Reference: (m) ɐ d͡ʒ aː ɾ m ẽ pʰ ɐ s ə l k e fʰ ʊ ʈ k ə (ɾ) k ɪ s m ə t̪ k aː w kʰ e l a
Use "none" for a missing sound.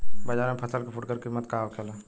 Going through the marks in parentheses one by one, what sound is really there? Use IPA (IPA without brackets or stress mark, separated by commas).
b, ɾ